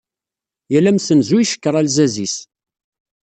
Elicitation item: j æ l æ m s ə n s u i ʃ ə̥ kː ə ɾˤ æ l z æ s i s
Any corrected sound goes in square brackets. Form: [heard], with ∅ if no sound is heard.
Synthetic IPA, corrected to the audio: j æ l æ m s ə n [z] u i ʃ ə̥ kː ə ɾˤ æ l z æ [z] i s